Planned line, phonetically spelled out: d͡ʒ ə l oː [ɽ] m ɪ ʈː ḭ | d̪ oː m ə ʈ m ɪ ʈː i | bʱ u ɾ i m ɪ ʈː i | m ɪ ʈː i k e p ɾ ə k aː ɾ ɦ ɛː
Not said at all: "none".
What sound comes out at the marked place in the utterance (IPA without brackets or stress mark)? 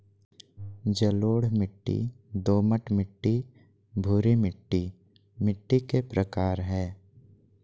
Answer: ɽ